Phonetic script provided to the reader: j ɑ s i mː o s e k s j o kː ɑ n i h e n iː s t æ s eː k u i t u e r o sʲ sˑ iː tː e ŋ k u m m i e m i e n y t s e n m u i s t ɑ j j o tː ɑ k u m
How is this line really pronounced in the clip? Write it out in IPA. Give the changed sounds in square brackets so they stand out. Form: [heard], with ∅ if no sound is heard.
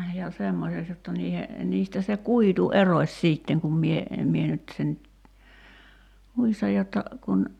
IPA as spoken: j ɑ s [e] mː o s e k s j o [tː] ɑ n [iː] h e n iː s t æ s [e] k u i t u e r o sʲ sˑ iː tː e ŋ k u m m i e m i e n y t s e n m u i s t ɑ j j o tː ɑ k u [n]